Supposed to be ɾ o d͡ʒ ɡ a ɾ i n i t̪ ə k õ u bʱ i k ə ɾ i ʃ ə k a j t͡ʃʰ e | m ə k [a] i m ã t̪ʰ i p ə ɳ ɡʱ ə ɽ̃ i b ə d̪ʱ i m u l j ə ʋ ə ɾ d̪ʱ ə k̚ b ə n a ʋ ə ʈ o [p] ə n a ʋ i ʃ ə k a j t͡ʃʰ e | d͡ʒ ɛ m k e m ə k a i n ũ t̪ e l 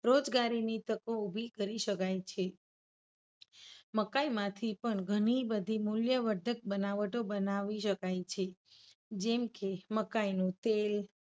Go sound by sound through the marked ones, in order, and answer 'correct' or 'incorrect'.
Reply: correct, incorrect: b

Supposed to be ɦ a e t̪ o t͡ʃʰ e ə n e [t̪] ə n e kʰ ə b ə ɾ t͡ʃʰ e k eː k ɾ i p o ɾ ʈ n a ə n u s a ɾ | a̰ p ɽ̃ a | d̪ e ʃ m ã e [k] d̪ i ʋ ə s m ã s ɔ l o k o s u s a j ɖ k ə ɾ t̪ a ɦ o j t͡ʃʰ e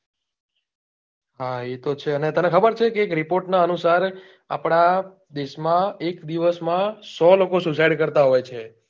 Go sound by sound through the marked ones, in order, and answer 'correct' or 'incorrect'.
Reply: correct, correct

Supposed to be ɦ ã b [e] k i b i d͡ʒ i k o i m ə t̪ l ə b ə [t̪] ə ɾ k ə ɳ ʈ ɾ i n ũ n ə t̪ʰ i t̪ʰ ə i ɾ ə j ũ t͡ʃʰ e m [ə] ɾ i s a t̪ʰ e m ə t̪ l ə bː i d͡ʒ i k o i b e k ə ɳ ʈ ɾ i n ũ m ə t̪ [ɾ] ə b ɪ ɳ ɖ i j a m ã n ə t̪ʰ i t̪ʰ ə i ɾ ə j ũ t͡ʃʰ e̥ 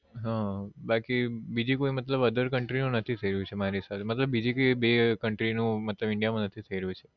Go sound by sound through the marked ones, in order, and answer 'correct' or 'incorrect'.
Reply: incorrect: a, incorrect: d̪, incorrect: a, incorrect: l

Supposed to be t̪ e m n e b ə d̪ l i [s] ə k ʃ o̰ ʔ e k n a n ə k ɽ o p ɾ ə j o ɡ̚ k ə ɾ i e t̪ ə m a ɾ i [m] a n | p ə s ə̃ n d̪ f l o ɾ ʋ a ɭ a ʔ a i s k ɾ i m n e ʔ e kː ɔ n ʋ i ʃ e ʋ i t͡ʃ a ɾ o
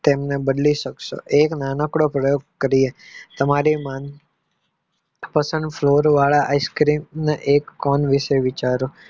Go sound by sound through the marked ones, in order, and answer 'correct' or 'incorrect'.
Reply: incorrect: ʃ, correct

